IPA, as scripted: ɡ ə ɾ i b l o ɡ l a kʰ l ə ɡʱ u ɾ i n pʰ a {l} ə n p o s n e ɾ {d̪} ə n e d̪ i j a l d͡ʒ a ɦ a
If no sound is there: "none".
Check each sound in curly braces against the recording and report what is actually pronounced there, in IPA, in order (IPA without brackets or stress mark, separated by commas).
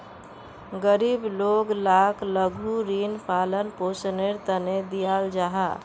l, t̪